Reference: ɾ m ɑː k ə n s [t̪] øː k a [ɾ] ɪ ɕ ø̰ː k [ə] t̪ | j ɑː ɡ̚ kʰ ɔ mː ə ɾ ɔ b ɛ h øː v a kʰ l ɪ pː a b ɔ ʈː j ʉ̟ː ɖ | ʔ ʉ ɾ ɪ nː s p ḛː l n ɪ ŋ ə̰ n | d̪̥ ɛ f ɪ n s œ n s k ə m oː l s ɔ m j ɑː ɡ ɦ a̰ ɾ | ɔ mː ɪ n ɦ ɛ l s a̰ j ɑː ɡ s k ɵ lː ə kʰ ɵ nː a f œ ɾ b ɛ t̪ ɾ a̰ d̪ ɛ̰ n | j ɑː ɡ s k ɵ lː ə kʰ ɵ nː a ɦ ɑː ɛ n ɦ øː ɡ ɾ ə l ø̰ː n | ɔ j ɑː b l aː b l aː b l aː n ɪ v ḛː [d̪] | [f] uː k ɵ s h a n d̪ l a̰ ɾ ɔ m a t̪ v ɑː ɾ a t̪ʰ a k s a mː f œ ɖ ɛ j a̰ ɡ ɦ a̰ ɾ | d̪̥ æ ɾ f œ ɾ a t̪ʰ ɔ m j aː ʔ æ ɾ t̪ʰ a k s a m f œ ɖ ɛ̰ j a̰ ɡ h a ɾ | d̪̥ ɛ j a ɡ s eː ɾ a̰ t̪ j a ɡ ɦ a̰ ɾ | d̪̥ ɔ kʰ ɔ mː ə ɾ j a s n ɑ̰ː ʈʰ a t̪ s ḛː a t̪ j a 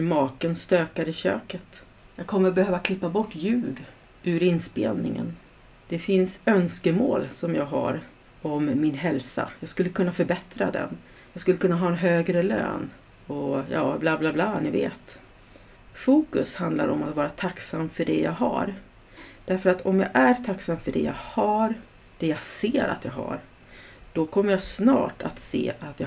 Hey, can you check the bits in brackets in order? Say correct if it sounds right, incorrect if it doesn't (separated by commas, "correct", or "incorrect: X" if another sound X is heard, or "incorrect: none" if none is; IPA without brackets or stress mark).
correct, correct, correct, incorrect: t̪, correct